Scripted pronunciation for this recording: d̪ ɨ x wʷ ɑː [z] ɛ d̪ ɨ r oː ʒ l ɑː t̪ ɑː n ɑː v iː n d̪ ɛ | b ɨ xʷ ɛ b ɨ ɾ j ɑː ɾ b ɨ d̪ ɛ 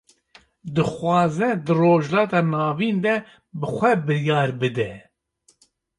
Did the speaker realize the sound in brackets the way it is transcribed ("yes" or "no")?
yes